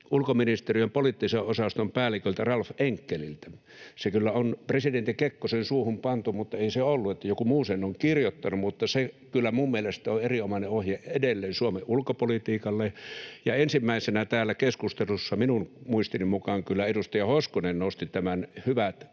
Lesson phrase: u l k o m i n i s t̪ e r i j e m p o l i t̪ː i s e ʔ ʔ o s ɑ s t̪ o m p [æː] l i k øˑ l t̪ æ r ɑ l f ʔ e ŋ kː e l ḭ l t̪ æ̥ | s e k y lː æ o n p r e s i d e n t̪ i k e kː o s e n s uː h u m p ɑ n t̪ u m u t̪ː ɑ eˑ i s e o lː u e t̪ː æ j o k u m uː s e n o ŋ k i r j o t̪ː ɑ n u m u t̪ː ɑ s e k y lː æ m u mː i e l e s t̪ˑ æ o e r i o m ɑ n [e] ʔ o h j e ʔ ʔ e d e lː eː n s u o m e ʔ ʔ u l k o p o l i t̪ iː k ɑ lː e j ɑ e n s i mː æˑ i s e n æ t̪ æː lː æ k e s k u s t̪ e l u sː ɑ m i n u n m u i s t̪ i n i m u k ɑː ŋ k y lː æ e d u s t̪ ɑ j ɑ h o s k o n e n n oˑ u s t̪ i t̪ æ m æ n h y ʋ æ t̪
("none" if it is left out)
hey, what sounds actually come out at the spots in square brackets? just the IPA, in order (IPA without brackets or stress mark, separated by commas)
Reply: æː, e